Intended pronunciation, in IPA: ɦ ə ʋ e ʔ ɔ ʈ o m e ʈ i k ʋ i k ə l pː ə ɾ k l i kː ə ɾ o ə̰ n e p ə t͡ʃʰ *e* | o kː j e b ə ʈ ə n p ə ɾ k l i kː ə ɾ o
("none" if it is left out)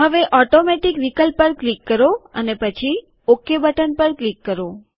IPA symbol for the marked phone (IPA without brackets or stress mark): i